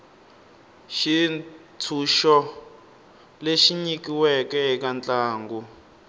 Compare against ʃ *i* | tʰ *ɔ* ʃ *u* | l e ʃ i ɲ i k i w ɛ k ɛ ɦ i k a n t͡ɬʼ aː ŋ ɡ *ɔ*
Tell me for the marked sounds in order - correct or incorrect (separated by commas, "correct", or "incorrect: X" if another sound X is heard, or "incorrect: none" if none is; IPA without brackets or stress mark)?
correct, incorrect: u, incorrect: ɔ, incorrect: u